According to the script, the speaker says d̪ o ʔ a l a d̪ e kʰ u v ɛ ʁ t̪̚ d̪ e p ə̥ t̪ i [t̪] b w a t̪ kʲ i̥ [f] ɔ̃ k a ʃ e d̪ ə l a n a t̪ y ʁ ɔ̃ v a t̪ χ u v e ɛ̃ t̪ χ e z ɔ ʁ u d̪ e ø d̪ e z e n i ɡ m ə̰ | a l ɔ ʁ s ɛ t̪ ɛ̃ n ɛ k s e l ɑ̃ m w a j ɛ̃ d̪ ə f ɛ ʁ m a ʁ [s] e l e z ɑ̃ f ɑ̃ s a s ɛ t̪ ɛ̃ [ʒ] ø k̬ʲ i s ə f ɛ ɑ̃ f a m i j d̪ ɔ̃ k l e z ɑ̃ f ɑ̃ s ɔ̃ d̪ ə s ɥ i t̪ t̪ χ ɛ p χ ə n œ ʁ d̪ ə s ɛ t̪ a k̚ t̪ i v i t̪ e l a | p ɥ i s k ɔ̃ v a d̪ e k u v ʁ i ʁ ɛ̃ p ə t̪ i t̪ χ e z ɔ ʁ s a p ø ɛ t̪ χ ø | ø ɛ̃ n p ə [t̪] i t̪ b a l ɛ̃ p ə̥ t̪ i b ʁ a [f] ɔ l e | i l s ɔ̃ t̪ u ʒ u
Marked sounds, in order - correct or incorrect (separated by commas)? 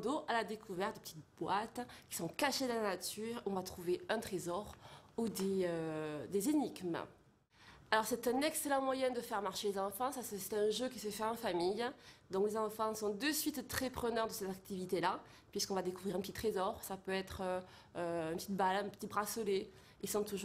correct, incorrect, incorrect, correct, correct, incorrect